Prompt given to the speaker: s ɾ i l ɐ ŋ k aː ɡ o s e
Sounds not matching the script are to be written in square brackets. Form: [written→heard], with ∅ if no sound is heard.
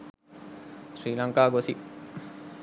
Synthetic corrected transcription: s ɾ [i→iː] l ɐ ŋ k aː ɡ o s [e→i]